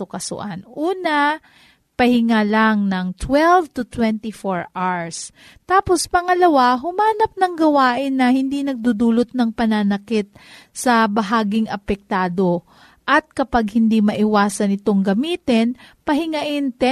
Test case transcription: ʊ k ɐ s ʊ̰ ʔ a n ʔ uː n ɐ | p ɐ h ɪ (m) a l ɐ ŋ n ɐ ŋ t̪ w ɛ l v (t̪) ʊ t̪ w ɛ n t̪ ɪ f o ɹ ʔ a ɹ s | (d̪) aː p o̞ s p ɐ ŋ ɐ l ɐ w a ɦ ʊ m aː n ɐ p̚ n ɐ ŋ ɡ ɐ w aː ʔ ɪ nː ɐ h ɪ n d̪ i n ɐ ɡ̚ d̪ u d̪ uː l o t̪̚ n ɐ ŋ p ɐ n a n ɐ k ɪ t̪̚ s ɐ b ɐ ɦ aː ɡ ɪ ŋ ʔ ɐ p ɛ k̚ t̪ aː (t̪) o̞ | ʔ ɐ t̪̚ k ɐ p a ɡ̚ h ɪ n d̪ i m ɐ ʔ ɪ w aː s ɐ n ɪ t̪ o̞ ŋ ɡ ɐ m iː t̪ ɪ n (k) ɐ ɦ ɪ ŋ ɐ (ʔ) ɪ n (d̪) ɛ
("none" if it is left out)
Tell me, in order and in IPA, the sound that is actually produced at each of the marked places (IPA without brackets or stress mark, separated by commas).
ŋ, t̪, t̪, d̪, p, ʔ, t̪